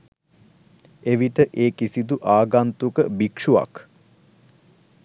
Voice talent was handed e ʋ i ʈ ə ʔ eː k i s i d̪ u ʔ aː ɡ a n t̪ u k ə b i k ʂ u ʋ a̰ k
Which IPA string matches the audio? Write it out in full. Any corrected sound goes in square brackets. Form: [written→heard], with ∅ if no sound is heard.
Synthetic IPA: e ʋ i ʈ ə ʔ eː k i s i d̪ u ʔ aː ɡ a n t̪ u k ə b i k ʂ u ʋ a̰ k